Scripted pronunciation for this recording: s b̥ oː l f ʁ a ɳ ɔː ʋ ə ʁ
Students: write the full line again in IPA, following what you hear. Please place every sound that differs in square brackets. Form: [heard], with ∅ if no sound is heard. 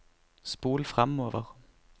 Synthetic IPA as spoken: s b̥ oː l f ʁ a [m] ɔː ʋ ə ʁ